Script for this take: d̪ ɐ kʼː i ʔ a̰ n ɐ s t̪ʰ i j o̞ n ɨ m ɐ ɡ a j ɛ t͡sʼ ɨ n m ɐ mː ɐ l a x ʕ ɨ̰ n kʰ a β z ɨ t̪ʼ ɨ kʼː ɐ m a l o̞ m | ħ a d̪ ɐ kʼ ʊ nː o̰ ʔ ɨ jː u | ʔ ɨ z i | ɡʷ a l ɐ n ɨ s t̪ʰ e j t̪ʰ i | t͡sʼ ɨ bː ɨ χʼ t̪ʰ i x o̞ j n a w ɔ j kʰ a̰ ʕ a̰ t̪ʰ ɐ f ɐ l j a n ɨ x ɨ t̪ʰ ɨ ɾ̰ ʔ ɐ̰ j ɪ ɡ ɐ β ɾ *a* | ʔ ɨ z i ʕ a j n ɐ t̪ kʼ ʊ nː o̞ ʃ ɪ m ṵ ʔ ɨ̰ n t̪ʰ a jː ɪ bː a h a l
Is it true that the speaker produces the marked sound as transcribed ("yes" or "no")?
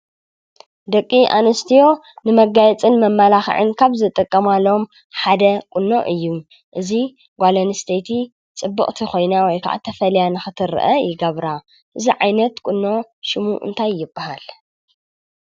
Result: yes